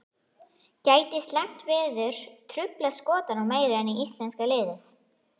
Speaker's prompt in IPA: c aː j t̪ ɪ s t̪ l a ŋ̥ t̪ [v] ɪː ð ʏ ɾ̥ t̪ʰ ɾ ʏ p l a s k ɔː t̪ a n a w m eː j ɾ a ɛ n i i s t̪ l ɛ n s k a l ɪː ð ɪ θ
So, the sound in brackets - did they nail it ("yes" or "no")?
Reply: yes